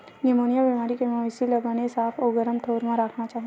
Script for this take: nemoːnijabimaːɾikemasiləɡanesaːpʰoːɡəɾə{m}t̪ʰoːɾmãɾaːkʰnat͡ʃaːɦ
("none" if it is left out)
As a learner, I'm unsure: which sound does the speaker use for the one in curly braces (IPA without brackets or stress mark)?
m